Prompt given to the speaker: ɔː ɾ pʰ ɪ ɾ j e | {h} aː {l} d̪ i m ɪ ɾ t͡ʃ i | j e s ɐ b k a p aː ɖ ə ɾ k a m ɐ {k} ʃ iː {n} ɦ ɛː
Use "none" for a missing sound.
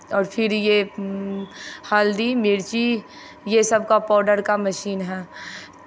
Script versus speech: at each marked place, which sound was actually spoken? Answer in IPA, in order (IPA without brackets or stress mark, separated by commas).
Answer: h, l, none, n